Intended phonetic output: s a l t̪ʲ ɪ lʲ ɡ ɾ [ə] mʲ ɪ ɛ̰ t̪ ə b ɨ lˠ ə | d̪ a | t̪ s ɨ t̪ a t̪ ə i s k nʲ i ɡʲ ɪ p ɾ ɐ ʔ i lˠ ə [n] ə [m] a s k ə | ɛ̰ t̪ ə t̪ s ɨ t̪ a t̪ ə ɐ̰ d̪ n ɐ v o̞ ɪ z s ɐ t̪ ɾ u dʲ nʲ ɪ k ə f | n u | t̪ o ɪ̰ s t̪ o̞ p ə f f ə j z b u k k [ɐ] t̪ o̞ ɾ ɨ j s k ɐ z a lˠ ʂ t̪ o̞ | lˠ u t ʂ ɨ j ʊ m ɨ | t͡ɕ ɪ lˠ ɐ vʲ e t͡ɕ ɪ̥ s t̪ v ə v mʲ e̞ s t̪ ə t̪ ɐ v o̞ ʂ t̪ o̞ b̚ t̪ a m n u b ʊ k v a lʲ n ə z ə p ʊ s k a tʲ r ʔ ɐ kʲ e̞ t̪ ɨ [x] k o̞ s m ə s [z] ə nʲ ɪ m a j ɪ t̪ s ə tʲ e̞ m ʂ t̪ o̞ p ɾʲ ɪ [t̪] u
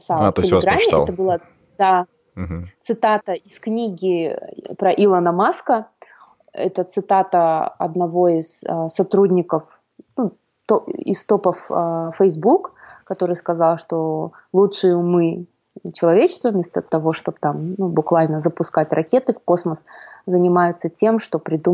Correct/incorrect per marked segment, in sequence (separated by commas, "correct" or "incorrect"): incorrect, correct, correct, correct, incorrect, correct, incorrect